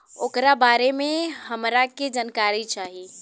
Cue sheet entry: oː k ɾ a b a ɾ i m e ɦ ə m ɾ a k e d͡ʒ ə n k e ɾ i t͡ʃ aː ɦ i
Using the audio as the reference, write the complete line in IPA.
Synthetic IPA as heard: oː k ɾ a b a ɾ e m e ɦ ə m ɾ a k e d͡ʒ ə n k a ɾ i t͡ʃ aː ɦ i